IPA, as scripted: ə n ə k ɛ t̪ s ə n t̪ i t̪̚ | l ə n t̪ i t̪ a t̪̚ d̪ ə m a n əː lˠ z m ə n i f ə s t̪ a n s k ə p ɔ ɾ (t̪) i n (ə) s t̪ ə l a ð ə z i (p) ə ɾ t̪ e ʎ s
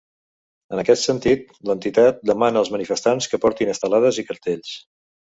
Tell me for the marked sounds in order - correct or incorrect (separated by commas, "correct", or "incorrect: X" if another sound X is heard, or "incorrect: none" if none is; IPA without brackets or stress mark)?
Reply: correct, correct, incorrect: k